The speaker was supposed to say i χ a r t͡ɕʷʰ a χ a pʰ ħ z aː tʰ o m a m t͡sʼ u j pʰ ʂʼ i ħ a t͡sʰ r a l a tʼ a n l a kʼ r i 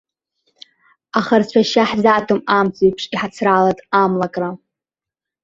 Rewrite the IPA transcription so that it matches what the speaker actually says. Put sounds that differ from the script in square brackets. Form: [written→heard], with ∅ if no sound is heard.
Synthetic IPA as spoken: [i→a] χ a r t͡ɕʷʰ a [χ→ʃ] a [pʰ→∅] ħ z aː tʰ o m a m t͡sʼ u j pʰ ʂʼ i ħ a t͡sʰ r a l a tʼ a [n→m] l a kʼ r [i→a]